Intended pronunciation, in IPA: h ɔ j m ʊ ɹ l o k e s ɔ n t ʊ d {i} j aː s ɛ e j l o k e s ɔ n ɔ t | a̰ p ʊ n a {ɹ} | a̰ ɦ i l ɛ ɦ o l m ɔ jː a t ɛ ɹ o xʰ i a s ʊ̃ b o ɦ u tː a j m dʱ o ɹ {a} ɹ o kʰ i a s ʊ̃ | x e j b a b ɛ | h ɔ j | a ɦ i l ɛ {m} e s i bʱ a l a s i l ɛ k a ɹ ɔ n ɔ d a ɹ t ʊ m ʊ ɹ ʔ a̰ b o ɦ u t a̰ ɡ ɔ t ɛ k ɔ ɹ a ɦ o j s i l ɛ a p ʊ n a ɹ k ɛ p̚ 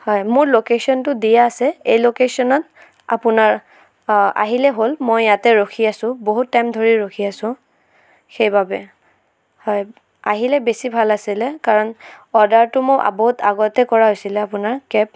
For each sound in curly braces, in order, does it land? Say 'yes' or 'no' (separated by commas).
yes, yes, no, no